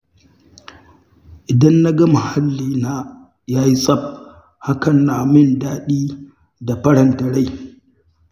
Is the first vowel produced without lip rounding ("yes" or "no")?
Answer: yes